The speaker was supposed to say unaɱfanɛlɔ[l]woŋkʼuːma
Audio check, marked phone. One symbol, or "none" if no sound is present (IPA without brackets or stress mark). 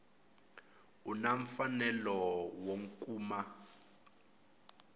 none